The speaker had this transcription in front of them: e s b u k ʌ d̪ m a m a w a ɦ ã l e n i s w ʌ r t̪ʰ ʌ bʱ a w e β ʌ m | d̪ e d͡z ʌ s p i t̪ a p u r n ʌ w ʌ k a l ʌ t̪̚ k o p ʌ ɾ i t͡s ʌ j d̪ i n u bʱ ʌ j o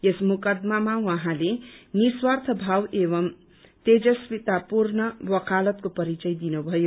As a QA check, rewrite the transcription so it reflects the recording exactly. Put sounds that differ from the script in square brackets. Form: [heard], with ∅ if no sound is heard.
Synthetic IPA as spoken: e s [m] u k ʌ d̪ m a m a w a ɦ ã l e n i s w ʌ r t̪ʰ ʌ bʱ a w e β ʌ m | [t̪] e d͡z ʌ s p i t̪ a p u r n ʌ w ʌ k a l ʌ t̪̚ k o p ʌ ɾ i t͡s ʌ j d̪ i n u bʱ ʌ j o

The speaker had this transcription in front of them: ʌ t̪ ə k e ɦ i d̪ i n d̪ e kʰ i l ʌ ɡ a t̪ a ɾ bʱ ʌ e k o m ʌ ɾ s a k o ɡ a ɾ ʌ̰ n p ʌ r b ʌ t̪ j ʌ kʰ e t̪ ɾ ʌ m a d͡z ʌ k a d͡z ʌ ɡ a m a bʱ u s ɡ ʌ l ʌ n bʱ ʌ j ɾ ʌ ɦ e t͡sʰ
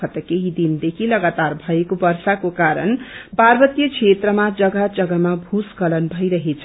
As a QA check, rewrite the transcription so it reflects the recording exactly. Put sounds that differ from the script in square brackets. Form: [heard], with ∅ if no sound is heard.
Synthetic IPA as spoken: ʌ t̪ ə k e ɦ i d̪ i n d̪ e kʰ i l ʌ ɡ a t̪ a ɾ bʱ ʌ e k o [b] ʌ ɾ s a k o [k] a ɾ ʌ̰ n p [a] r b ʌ t̪ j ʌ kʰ e t̪ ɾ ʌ m a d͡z ʌ [ɡ] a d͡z ʌ ɡ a m a bʱ u s [k] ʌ l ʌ n bʱ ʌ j ɾ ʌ ɦ e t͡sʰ

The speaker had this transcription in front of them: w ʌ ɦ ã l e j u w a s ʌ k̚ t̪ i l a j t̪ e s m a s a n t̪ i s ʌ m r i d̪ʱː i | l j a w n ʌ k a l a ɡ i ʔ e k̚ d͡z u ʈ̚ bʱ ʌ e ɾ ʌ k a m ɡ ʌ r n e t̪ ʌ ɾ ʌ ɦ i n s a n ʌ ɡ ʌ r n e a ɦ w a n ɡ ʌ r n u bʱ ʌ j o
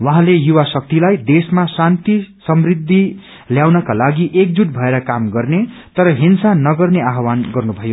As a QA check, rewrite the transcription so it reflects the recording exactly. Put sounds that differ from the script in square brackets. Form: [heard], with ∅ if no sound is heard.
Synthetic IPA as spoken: w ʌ ɦ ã l e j u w a s ʌ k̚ t̪ i l a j [d̪] e s m a s a n t̪ i s ʌ m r i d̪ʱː i | l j a w n ʌ k a l a ɡ i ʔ e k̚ d͡z u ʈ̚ bʱ ʌ e ɾ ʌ k a m ɡ ʌ r n e t̪ ʌ ɾ ʌ ɦ i n s a n ʌ ɡ ʌ r n e a ɦ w a n ɡ ʌ r n u bʱ ʌ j o

